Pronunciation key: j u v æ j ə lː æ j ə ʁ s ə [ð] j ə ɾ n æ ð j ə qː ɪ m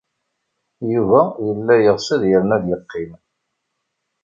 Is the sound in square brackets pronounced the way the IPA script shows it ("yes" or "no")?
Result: yes